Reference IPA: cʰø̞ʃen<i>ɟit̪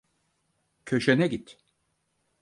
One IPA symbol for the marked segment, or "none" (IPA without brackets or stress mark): ɛ